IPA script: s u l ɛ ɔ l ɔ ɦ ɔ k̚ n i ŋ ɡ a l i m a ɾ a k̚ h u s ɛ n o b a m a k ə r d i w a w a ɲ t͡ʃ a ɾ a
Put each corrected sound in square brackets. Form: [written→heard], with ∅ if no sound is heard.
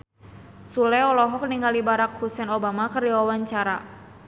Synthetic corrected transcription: s u l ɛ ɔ l ɔ ɦ ɔ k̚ n i ŋ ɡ a l i [m→b] a ɾ a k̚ h u s ɛ n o b a m a k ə r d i w a w a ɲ t͡ʃ a ɾ a